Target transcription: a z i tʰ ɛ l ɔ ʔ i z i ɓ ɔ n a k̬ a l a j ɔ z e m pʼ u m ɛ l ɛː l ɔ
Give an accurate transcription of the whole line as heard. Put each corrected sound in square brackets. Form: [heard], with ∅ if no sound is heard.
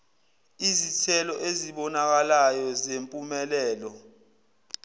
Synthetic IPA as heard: [i] z i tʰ ɛ l ɔ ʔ [e] z i ɓ ɔ n a k̬ a l a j ɔ z e m pʼ u m ɛ l ɛː l ɔ

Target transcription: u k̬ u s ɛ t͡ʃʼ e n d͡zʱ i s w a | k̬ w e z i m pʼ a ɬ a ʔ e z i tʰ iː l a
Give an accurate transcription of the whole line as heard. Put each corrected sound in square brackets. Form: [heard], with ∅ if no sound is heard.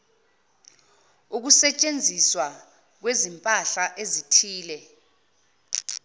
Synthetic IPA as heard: u k̬ u s ɛ t͡ʃʼ e n d͡zʱ i s w a | k̬ w e z i m pʼ a ɬ a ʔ e z i tʰ iː l [ɛ]

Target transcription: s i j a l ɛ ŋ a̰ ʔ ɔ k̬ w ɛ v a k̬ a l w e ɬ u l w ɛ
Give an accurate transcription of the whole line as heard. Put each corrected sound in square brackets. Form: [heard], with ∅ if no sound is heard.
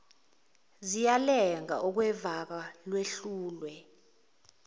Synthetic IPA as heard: [z] i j a l ɛ ŋ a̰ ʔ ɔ k̬ w ɛ v a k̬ a l w e ɬ [uː] l w ɛ

